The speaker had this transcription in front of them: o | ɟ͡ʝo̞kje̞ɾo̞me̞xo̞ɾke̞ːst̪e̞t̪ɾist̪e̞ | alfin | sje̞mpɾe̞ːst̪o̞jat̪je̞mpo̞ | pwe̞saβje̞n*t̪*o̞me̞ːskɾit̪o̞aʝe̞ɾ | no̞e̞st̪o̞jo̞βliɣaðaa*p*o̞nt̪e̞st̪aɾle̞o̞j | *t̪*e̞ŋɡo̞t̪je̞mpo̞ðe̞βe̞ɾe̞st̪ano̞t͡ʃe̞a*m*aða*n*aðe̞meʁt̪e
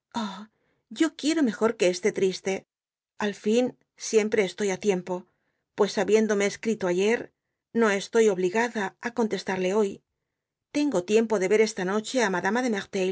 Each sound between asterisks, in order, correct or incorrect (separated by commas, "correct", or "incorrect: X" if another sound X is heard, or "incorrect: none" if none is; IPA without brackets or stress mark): incorrect: d̪, incorrect: k, correct, correct, incorrect: m